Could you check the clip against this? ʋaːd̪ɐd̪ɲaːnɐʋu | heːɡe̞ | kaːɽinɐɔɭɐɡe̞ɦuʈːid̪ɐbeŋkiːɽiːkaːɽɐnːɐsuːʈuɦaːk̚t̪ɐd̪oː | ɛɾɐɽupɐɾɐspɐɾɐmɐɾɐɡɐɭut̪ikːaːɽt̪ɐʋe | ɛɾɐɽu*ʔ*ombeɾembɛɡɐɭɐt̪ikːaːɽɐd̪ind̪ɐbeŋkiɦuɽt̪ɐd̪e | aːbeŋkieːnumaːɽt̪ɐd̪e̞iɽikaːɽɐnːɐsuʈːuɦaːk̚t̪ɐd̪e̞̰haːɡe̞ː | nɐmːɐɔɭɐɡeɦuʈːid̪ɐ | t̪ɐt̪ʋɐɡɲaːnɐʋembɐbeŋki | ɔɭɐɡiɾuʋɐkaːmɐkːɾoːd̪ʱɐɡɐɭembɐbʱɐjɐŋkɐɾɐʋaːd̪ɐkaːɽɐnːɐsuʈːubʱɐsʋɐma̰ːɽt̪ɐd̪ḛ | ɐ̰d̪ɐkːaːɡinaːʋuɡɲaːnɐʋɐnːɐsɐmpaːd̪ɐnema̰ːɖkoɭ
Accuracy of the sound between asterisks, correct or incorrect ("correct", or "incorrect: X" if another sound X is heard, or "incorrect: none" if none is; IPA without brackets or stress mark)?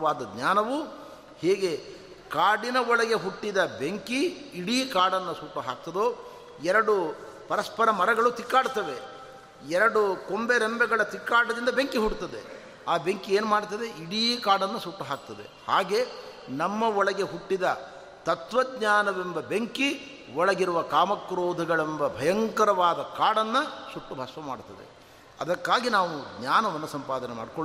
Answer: incorrect: k